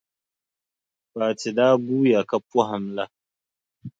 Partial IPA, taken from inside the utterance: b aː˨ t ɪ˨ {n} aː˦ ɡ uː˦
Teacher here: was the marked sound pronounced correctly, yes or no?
no